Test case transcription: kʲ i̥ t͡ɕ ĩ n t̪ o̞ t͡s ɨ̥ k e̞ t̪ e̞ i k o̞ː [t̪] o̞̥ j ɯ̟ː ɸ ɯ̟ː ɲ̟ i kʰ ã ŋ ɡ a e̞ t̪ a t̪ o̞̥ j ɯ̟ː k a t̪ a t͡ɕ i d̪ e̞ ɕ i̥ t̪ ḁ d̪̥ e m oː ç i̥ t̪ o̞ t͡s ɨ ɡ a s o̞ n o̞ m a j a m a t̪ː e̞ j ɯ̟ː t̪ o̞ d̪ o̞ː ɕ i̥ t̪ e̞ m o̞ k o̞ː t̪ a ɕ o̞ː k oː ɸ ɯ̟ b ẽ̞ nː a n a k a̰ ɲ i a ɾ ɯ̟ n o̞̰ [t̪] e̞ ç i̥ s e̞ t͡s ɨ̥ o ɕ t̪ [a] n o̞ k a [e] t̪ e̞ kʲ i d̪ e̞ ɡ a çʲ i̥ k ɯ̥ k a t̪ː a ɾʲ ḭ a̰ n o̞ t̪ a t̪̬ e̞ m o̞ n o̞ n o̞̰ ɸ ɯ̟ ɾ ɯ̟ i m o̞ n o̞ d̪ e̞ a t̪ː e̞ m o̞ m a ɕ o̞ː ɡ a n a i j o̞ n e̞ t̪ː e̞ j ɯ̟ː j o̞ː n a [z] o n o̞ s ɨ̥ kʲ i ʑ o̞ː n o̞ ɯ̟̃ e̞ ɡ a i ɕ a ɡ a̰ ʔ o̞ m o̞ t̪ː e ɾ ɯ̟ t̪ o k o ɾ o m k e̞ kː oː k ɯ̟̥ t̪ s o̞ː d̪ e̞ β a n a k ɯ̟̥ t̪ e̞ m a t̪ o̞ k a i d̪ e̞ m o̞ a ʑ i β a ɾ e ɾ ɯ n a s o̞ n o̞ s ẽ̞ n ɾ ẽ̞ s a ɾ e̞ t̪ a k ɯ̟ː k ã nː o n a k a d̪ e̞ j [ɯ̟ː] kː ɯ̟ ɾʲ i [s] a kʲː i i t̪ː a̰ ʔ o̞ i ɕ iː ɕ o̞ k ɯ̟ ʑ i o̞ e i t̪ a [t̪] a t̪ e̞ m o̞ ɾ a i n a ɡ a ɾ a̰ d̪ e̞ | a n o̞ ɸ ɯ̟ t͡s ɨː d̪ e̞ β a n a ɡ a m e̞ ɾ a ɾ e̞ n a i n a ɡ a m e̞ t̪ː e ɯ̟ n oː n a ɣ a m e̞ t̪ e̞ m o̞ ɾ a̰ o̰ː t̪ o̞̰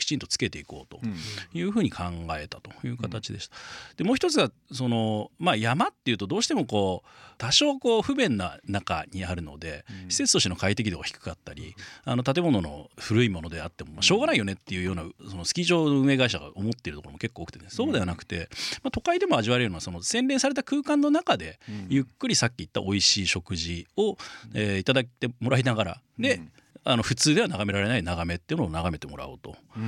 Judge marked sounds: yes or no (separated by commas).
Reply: yes, no, no, no, no, no, yes, no